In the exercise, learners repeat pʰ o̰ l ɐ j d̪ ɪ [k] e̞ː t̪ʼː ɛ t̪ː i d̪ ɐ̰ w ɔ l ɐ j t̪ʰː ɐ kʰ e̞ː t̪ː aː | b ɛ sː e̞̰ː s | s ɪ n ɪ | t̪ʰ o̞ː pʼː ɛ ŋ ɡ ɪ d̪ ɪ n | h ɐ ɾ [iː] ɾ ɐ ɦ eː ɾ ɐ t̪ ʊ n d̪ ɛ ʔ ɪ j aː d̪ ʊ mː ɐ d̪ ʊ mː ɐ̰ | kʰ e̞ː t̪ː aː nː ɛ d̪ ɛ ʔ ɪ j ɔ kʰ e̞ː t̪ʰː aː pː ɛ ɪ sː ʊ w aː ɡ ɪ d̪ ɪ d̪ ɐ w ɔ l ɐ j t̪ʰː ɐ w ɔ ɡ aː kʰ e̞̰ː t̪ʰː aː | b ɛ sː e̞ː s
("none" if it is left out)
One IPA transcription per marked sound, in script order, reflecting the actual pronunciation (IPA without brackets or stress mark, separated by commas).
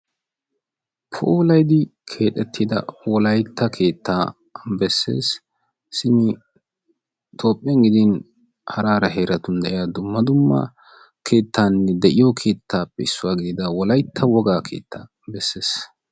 kʰ, aː